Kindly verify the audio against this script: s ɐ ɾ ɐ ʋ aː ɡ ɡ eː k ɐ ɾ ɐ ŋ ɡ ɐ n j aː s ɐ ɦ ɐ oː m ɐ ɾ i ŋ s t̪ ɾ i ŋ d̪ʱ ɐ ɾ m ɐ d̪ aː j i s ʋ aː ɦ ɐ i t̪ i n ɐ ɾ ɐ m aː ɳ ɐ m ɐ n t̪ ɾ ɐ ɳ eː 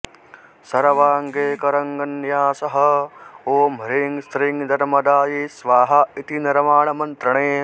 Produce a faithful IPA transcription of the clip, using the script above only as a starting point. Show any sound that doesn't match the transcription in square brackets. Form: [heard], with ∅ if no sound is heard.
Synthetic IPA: s ɐ ɾ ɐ ʋ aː [ŋ] ɡ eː k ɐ ɾ ɐ ŋ ɡ ɐ n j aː s ɐ ɦ ɐ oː m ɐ ɾ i ŋ s t̪ ɾ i ŋ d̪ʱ ɐ ɾ m ɐ d̪ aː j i s ʋ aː ɦ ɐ i t̪ i n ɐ ɾ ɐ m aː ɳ ɐ m ɐ n t̪ ɾ ɐ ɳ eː